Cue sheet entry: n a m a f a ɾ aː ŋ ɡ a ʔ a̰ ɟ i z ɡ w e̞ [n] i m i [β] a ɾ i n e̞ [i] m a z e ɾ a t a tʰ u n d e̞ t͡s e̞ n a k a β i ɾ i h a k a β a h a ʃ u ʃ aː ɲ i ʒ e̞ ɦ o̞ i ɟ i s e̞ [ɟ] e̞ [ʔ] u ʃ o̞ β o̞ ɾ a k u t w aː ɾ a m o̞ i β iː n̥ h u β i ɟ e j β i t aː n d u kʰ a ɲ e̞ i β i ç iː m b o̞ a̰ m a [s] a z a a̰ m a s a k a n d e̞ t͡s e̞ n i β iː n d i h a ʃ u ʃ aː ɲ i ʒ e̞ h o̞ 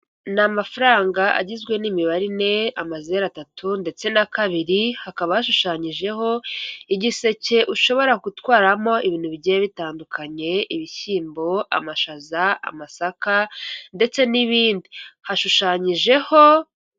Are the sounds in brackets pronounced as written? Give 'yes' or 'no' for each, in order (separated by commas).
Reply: yes, yes, no, no, yes, no